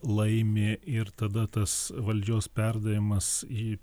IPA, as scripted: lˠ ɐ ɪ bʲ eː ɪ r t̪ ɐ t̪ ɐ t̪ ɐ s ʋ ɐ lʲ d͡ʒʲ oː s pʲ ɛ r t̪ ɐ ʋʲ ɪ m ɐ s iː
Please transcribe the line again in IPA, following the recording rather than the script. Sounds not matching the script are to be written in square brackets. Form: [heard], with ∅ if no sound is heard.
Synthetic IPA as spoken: lˠ ɐ ɪ [mʲ] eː ɪ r t̪ ɐ [d̪] ɐ t̪ ɐ s ʋ ɐ lʲ d͡ʒʲ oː s pʲ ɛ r [d̪] ɐ ʋʲ ɪ m ɐ s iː

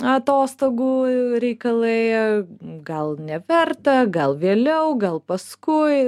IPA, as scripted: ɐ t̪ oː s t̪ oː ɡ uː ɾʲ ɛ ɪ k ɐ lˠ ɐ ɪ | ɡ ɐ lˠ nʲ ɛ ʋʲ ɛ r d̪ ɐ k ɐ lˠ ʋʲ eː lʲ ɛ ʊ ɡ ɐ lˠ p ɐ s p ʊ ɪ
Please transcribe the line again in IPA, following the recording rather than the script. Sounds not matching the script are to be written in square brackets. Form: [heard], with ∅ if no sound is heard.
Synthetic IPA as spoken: ɐ t̪ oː s t̪ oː ɡ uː ɾʲ ɛ ɪ k ɐ lˠ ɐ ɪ | ɡ ɐ lˠ nʲ ɛ ʋʲ ɛ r [t̪] ɐ [ɡ] ɐ lˠ ʋʲ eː lʲ ɛ ʊ ɡ ɐ lˠ p ɐ s [k] ʊ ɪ

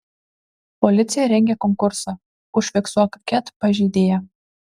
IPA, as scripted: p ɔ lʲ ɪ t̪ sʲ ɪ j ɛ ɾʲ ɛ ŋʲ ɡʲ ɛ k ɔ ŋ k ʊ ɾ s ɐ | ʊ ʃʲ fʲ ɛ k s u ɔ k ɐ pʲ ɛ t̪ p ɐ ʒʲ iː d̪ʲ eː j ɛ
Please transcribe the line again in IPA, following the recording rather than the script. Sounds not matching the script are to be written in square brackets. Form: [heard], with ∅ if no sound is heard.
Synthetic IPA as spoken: p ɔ lʲ ɪ t̪ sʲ ɪ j ɛ ɾʲ ɛ ŋʲ ɡʲ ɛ k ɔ ŋ k ʊ ɾ s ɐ | ʊ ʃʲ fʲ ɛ k s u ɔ k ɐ [kʲ] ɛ t̪ p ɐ ʒʲ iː d̪ʲ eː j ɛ

